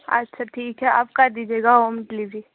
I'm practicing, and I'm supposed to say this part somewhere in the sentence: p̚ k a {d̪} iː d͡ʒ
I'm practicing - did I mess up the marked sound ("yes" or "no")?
no